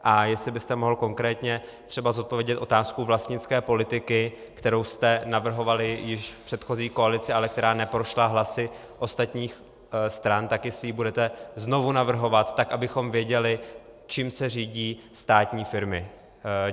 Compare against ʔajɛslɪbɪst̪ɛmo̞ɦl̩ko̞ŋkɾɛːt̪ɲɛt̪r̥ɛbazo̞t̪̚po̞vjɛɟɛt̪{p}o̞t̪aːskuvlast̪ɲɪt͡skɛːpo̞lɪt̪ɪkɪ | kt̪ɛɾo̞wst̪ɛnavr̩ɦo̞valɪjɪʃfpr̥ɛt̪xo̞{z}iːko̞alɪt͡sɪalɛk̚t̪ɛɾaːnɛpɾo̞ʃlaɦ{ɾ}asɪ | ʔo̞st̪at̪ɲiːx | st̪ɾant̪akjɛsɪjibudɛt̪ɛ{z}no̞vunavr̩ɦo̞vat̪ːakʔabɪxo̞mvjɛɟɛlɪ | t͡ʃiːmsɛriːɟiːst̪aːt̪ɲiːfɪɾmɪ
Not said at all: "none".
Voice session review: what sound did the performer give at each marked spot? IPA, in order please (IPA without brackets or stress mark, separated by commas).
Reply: ʔ, z, l, z